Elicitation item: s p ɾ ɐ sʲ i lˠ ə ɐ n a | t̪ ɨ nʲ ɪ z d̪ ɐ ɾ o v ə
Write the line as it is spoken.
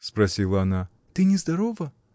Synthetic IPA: s p ɾ ɐ sʲ i lˠ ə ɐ n a | t̪ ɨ nʲ ɪ z d̪ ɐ ɾ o v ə